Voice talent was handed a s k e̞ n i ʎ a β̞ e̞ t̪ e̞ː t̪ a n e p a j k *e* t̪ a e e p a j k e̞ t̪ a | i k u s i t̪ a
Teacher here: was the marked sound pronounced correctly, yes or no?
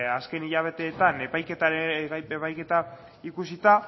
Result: yes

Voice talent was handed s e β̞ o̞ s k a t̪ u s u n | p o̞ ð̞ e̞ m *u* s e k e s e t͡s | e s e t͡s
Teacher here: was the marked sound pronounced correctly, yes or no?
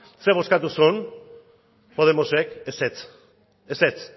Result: no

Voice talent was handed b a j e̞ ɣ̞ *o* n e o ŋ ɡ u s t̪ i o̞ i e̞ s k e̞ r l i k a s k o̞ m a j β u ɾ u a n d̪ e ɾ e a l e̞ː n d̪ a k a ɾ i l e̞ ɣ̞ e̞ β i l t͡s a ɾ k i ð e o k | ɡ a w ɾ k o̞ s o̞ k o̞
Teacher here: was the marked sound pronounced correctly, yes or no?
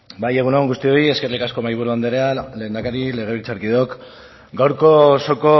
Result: no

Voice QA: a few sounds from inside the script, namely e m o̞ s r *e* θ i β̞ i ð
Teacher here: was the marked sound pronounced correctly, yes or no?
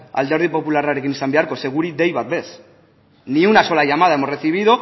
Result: yes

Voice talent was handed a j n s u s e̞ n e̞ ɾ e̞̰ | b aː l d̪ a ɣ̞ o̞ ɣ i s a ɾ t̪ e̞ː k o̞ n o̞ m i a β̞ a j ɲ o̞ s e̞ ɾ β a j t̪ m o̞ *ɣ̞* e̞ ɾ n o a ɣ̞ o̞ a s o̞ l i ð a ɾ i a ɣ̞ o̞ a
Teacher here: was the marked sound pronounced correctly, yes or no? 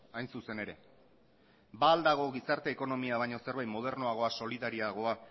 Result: no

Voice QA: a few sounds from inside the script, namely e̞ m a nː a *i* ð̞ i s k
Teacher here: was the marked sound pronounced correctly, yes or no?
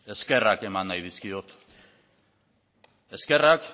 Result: no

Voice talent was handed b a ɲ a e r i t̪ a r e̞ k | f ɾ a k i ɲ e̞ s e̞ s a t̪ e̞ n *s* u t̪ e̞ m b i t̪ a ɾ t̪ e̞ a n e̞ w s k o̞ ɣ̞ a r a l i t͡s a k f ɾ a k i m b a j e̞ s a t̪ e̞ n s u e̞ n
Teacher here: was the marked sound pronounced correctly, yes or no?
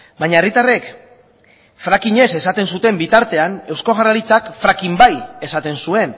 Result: yes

